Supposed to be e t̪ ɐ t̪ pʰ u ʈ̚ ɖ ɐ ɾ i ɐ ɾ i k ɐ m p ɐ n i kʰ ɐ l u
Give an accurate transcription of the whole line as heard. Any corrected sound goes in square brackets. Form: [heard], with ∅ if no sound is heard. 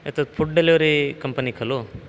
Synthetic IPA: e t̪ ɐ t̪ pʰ u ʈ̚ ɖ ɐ [l] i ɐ ɾ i k ɐ m p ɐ n i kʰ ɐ l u